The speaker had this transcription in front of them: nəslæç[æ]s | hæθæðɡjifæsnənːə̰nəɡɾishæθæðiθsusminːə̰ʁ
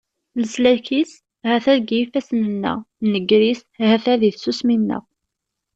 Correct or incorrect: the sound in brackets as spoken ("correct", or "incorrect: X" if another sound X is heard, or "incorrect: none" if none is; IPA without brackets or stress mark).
incorrect: i